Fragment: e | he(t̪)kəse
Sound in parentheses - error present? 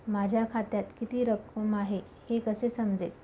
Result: yes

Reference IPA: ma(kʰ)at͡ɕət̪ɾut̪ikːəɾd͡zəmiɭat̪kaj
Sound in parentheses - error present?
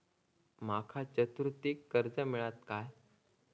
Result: no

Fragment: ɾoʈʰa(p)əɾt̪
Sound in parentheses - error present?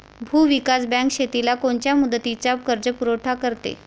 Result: yes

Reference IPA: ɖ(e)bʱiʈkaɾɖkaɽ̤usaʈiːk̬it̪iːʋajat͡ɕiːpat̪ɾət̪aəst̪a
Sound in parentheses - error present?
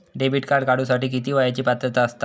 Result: no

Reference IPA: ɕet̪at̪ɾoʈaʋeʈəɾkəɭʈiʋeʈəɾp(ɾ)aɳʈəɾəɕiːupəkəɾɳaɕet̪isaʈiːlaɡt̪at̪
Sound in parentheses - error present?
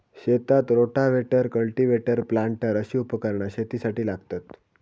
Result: yes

